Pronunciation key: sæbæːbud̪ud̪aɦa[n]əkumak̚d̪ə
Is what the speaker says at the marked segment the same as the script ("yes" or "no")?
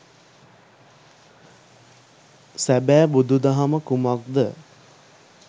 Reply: no